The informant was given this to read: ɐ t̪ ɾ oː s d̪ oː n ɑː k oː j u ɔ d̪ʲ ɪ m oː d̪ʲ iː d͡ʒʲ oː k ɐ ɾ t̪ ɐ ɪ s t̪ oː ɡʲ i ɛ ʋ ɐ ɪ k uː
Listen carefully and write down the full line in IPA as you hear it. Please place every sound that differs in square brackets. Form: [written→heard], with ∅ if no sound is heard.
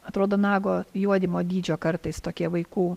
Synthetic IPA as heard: ɐ t̪ ɾ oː [s→∅] d̪ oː n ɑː [k→ɡ] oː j u ɔ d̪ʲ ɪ m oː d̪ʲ iː d͡ʒʲ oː k ɐ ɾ t̪ ɐ ɪ s t̪ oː [ɡʲ→kʲ] i ɛ ʋ ɐ ɪ k uː

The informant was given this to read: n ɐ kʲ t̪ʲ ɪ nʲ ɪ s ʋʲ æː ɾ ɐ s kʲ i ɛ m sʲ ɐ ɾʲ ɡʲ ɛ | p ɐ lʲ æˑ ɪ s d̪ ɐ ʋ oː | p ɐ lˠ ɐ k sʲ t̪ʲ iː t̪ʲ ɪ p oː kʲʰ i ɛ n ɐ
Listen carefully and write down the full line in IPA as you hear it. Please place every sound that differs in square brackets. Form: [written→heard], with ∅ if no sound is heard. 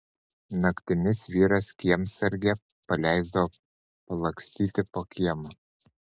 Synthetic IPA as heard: n ɐ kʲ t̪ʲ ɪ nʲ ɪ s ʋʲ [æː→iː] ɾ ɐ s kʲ i ɛ m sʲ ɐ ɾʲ ɡʲ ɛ | p ɐ lʲ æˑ ɪ [s→z] d̪ ɐ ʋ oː | p ɐ lˠ ɐ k sʲ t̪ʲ iː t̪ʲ ɪ p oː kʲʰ i ɛ [n→m] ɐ

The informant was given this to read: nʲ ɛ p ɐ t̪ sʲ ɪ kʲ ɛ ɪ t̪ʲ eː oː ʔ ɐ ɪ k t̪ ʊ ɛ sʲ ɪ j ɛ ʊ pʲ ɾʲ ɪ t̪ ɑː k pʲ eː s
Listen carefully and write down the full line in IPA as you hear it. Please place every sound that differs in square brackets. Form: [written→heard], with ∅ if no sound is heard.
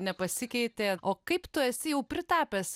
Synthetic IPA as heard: nʲ ɛ p ɐ [t̪→∅] sʲ ɪ kʲ ɛ ɪ t̪ʲ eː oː [ʔ→k] ɐ ɪ [k→p] t̪ ʊ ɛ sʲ ɪ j ɛ ʊ pʲ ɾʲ ɪ t̪ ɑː [k→∅] pʲ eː s

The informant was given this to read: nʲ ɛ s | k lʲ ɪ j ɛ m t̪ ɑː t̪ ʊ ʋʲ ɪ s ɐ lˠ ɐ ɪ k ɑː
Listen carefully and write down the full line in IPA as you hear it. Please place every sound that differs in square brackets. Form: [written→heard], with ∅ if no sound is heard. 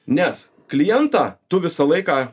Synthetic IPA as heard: nʲ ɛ s | k lʲ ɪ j ɛ [m→n] t̪ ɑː t̪ ʊ ʋʲ ɪ s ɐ lˠ ɐ ɪ k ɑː

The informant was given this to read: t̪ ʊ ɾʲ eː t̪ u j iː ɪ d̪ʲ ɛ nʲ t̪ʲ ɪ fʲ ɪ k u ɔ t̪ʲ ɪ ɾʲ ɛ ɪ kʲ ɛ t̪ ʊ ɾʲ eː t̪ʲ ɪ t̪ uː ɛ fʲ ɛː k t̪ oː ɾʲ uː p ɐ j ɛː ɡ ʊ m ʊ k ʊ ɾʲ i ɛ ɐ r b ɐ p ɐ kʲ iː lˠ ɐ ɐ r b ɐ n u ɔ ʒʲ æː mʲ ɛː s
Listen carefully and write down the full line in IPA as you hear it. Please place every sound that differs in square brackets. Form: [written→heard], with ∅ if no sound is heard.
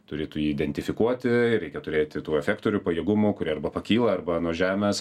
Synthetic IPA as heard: t̪ ʊ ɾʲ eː t̪ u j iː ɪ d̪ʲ ɛ nʲ t̪ʲ ɪ fʲ ɪ k u ɔ t̪ʲ ɪ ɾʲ ɛ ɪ kʲ ɛ t̪ ʊ ɾʲ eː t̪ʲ ɪ t̪ uː ɛ fʲ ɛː k t̪ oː ɾʲ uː p ɐ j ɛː ɡ ʊ m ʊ k ʊ ɾʲ i ɛ ɐ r b ɐ p ɐ kʲ iː lˠ ɐ ɐ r b ɐ n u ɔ ʒʲ æː mʲ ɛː s

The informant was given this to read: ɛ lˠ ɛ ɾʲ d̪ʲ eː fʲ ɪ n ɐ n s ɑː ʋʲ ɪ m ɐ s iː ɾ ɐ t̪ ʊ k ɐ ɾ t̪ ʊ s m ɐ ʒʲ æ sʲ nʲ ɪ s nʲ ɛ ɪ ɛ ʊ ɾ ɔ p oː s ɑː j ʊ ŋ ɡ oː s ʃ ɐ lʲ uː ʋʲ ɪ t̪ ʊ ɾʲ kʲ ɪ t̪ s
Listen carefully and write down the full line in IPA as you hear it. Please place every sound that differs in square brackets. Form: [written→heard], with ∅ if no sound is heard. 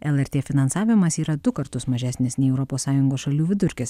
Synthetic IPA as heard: ɛ lˠ ɛ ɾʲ [d̪ʲ→t̪ʲ] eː fʲ ɪ n ɐ n s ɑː ʋʲ ɪ m ɐ s iː ɾ ɐ [t̪→d̪] ʊ k ɐ ɾ t̪ ʊ s m ɐ ʒʲ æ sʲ nʲ ɪ s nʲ ɛ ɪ ɛ ʊ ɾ ɔ p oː s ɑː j ʊ ŋ ɡ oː s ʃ ɐ lʲ uː ʋʲ ɪ [t̪→d̪] ʊ ɾʲ kʲ ɪ [t̪→∅] s

